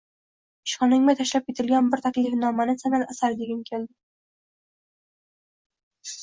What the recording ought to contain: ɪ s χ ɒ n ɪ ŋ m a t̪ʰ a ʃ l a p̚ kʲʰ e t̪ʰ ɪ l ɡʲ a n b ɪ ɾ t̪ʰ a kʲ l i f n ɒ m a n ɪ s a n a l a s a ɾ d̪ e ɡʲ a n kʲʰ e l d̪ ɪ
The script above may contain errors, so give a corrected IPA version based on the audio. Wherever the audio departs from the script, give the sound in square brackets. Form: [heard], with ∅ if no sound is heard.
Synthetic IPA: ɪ [ʃ] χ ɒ n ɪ ŋ m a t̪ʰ a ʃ l a p̚ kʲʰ e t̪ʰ ɪ l ɡʲ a n b ɪ ɾ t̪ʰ a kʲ l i f n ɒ m a n ɪ s a n a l a s a ɾ d̪ e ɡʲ a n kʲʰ e l d̪ ɪ